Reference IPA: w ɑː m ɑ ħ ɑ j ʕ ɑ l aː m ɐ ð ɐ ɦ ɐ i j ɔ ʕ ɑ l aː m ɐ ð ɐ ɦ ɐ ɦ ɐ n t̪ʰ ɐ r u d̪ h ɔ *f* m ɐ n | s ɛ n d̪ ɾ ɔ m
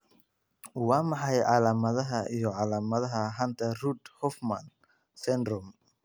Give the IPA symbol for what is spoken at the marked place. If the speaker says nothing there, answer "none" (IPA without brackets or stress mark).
f